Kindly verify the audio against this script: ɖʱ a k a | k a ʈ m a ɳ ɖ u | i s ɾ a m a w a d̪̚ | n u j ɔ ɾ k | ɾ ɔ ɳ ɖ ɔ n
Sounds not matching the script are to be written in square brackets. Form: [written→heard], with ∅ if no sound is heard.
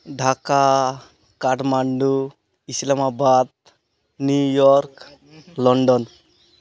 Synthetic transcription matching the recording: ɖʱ a k a | k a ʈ m a ɳ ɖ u | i s [ɾ→l] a m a [w→b] a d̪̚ | n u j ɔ ɾ k | [ɾ→l] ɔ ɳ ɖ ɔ n